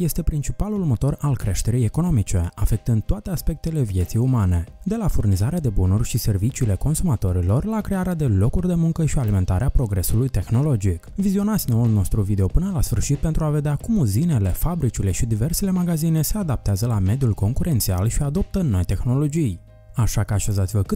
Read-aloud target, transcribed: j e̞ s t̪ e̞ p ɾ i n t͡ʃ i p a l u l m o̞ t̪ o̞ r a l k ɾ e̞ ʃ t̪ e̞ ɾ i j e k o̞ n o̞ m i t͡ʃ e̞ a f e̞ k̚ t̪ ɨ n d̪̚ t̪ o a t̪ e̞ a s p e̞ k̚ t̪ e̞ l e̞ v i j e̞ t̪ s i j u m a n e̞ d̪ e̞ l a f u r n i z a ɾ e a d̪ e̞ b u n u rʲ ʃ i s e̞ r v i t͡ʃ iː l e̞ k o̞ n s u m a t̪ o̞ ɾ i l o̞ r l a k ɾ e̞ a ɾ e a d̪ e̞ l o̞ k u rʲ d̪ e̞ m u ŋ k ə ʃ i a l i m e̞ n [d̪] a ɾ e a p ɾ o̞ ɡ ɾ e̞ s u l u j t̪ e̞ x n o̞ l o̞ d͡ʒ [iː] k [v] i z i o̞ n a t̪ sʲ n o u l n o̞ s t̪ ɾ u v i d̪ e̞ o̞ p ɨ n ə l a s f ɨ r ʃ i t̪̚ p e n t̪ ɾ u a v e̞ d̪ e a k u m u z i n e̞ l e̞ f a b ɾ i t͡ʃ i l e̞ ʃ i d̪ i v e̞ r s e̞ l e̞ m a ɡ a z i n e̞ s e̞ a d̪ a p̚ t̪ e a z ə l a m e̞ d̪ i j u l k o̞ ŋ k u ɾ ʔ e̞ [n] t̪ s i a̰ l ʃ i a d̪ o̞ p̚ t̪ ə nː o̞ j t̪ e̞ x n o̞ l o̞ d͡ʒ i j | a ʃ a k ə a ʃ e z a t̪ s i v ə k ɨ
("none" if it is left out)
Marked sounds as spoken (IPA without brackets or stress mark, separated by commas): t̪, i, v, n